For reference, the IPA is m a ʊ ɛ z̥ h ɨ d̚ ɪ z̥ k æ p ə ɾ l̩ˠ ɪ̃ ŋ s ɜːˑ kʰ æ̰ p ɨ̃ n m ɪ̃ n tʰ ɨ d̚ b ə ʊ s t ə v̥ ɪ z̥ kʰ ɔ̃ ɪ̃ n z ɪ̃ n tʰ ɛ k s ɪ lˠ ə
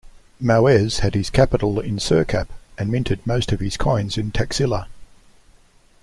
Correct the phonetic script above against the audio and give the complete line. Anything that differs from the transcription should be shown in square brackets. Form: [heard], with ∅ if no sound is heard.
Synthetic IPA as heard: m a ʊ ɛ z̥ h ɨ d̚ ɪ z̥ [kʰ] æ p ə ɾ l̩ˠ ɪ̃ [n] s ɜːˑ kʰ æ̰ p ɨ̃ n m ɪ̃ n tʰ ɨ d̚ [m] ə ʊ s t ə v̥ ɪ z̥ kʰ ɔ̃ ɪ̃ n z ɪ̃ n tʰ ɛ k s ɪ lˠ ə